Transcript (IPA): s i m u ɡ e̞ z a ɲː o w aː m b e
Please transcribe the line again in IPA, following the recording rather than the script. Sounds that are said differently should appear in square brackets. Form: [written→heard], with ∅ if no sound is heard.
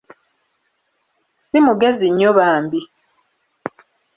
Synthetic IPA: s i m u ɡ e̞ z [a→i] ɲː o [w→β] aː m b [e→i]